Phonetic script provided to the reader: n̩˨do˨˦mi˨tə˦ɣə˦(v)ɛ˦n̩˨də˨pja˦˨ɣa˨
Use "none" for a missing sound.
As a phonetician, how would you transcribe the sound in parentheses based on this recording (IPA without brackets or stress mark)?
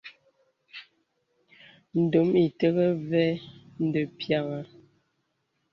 v